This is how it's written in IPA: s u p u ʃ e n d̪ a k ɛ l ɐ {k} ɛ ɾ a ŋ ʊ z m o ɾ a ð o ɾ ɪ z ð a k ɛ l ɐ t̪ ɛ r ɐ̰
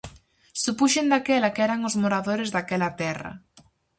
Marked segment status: correct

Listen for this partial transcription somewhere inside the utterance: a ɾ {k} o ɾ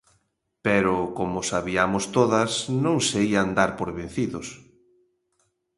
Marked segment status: incorrect: p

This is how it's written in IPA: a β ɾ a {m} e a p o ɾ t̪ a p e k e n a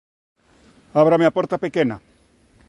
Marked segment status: correct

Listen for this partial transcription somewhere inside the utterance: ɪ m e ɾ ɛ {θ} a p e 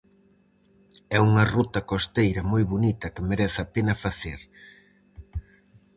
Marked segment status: correct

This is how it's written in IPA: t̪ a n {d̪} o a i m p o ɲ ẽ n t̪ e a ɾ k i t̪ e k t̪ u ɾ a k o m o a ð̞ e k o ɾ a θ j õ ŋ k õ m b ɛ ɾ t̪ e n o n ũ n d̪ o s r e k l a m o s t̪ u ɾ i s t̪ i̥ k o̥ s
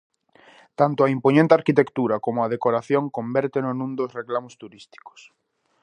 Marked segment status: incorrect: t̪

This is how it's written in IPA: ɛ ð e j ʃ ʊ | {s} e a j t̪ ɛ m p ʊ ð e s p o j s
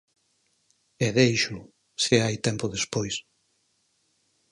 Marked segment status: correct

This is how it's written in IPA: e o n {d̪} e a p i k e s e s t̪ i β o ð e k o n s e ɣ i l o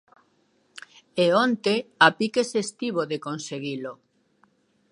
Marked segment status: incorrect: t̪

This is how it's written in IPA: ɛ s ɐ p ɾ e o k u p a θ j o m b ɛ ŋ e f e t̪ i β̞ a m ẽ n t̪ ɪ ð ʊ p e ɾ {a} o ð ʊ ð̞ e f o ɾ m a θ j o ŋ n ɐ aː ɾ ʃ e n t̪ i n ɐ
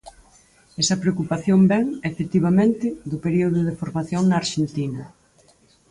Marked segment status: incorrect: i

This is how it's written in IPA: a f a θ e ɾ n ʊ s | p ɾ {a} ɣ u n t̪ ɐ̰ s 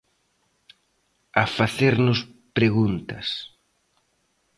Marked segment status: incorrect: e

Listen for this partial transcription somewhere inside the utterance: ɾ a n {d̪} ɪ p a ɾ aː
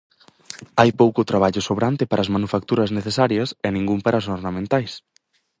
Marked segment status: incorrect: t̪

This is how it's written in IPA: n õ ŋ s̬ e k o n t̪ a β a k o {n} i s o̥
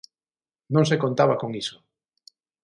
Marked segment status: incorrect: ŋ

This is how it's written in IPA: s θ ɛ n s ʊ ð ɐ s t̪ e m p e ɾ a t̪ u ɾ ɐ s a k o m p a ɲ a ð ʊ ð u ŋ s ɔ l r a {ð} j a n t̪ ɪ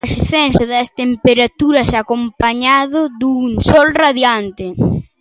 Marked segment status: correct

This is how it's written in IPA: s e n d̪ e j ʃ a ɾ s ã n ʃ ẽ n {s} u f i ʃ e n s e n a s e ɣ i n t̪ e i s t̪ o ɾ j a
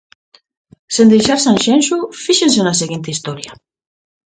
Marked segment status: incorrect: ʃ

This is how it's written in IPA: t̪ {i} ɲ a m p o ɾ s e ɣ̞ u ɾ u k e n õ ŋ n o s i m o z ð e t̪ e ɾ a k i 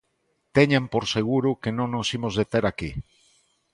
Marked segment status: incorrect: e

